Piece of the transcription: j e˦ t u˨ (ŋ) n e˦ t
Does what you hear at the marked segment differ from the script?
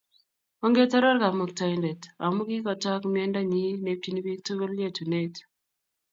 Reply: yes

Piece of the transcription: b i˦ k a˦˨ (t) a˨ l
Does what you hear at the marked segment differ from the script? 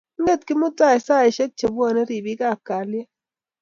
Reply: yes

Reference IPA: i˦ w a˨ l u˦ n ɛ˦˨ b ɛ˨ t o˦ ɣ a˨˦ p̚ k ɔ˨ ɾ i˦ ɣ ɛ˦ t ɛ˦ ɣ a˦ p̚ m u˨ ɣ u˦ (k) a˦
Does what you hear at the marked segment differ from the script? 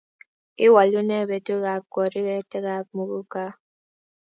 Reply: no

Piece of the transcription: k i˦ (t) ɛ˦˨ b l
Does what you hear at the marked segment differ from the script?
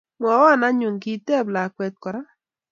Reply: no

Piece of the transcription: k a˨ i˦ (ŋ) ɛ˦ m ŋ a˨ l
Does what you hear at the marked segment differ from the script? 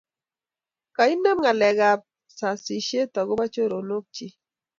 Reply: yes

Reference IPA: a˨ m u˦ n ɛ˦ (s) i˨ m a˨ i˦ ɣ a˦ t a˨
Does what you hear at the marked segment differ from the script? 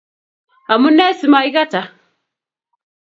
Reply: no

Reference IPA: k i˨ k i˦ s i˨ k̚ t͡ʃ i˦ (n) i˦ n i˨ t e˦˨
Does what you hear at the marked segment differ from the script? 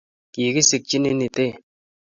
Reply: no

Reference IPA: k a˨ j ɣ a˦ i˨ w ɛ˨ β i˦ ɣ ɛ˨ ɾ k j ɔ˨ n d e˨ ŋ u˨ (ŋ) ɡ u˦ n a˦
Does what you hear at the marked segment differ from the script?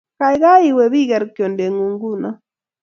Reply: no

